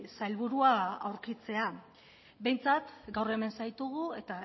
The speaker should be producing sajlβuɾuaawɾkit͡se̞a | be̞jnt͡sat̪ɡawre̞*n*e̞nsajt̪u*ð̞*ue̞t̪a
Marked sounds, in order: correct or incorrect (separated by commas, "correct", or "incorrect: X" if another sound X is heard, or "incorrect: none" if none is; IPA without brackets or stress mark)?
incorrect: m, incorrect: ɣ̞